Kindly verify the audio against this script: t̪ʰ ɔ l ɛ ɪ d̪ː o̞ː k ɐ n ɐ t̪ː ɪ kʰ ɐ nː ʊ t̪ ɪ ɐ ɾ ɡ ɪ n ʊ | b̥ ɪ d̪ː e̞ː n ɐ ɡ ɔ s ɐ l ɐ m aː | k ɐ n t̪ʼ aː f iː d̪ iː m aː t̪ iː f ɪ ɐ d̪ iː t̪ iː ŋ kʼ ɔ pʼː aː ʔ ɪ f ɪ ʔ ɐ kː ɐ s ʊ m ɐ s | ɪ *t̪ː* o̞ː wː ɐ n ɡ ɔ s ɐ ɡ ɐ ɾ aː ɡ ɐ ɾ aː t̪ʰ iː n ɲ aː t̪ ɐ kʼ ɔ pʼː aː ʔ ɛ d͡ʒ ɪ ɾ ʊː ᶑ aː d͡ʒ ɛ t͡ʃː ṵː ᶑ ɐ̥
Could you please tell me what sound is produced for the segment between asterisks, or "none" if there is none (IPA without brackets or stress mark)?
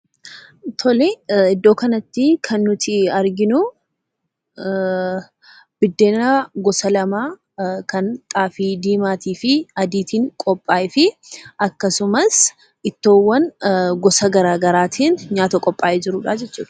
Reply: t̪ː